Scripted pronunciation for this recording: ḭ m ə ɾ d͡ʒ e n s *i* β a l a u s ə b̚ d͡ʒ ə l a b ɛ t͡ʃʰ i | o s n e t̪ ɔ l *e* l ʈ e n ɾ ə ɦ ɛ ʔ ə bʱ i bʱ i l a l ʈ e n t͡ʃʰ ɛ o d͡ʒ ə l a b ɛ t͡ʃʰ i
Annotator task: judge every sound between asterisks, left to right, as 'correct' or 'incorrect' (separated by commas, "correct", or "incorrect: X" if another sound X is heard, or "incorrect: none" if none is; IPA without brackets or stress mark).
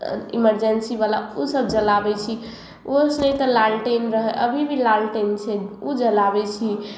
correct, incorrect: a